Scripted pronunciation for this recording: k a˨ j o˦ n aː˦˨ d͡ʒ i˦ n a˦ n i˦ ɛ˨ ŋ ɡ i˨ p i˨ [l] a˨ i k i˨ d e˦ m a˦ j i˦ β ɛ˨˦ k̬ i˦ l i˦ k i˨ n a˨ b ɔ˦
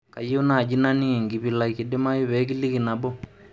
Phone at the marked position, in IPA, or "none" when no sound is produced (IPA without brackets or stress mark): l